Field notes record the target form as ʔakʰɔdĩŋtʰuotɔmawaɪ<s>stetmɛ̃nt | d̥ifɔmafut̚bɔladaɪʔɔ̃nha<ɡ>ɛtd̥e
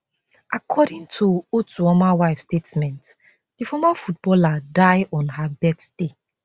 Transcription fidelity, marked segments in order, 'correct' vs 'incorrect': incorrect, incorrect

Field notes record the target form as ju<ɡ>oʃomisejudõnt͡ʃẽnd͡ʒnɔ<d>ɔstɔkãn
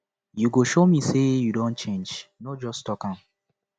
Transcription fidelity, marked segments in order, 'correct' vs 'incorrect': correct, incorrect

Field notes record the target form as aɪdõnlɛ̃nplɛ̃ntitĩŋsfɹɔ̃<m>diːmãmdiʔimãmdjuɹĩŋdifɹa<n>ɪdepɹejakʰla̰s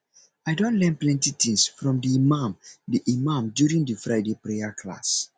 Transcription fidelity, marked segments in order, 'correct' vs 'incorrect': correct, incorrect

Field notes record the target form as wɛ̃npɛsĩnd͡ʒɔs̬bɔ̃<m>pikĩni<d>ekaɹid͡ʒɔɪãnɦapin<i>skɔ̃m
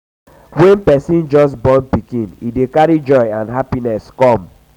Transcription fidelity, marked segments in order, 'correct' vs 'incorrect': incorrect, correct, incorrect

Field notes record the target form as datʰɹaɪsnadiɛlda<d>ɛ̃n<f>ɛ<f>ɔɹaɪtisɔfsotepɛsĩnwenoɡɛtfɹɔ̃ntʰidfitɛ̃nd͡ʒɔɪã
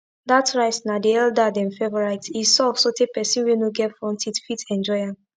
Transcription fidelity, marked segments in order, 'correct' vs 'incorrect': correct, correct, incorrect

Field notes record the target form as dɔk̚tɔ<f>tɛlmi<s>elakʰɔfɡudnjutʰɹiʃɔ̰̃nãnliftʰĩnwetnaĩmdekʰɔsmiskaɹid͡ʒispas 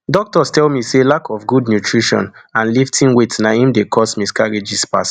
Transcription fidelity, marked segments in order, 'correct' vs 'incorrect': incorrect, correct

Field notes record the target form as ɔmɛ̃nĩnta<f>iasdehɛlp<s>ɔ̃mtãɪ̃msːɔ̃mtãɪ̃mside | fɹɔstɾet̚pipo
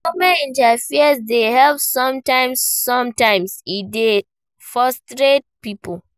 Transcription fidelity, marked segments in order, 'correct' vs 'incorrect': correct, correct

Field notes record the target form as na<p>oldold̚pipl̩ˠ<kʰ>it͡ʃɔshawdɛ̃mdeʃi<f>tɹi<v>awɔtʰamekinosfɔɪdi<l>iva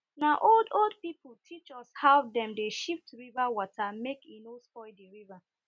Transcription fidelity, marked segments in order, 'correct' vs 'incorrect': incorrect, incorrect, correct, correct, incorrect

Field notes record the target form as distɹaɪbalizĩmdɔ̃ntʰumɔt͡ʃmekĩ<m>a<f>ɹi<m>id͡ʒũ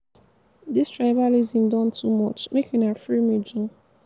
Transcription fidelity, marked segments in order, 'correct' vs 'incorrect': incorrect, correct, correct

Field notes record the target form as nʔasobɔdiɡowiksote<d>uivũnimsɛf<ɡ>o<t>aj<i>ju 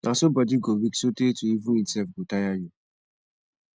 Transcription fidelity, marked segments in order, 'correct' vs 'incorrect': incorrect, correct, correct, incorrect

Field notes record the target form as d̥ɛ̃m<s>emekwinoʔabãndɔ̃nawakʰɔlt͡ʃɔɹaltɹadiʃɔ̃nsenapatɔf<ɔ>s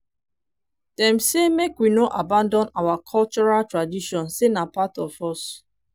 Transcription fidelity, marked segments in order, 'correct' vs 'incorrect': correct, correct

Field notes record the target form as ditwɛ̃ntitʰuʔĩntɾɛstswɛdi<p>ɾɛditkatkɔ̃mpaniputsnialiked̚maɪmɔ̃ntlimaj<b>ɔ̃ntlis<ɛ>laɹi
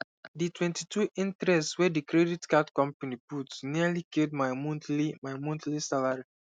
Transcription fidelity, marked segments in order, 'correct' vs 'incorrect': incorrect, incorrect, incorrect

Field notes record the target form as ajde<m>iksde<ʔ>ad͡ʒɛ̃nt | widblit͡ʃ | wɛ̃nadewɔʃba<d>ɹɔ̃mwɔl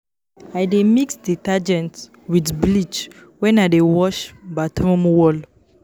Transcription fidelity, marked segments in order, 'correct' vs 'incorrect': correct, incorrect, incorrect

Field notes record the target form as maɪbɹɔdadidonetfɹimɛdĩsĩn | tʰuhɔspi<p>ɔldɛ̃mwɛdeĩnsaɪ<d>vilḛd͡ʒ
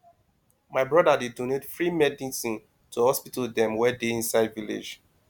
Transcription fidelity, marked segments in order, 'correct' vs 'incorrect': incorrect, correct

